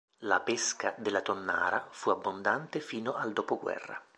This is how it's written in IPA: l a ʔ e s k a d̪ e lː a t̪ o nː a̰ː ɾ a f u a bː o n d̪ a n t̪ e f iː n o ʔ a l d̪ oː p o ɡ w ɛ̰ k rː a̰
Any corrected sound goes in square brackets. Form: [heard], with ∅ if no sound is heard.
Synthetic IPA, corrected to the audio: l a [p] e s k a d̪ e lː a t̪ o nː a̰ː ɾ a f u a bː o n d̪ a n t̪ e f iː n o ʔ a l d̪ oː p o ɡ w ɛ̰ [∅] rː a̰